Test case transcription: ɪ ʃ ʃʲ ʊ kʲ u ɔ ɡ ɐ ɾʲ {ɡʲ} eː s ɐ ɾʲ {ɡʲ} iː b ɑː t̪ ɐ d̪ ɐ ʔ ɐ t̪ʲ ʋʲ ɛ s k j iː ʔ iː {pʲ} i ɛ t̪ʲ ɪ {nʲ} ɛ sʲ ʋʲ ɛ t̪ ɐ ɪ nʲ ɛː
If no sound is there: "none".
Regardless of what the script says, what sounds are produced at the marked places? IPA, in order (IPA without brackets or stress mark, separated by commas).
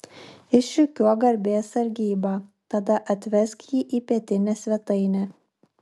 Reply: bʲ, ɡʲ, pʲ, nʲ